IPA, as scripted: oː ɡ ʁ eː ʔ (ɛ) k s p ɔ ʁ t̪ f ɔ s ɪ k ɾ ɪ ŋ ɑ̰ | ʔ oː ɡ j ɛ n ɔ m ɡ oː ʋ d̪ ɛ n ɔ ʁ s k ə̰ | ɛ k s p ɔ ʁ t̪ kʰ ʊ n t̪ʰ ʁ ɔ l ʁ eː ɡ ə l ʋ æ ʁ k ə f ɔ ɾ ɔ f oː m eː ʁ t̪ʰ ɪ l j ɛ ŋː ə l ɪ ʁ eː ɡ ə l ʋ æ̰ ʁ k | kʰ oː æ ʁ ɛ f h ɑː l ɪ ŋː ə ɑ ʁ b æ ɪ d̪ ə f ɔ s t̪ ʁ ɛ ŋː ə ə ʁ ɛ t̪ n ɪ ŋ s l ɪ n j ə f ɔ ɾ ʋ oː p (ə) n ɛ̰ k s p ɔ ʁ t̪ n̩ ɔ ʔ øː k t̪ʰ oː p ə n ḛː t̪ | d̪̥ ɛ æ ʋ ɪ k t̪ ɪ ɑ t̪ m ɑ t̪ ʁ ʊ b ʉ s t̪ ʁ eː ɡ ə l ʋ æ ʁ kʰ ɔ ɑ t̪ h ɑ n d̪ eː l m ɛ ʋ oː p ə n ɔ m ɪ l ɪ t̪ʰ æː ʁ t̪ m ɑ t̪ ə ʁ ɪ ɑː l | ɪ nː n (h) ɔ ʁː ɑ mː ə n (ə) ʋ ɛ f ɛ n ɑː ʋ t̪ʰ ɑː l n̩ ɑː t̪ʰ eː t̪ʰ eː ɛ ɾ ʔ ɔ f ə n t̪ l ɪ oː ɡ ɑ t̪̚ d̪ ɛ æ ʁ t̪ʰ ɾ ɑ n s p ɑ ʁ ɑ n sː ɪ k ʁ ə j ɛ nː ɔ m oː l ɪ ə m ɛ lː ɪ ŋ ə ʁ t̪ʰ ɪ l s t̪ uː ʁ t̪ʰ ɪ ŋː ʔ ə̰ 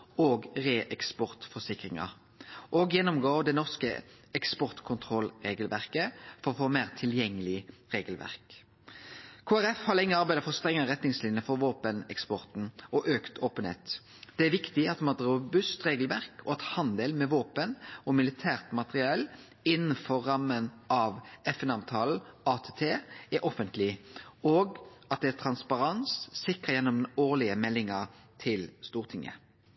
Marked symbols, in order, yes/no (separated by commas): yes, yes, no, no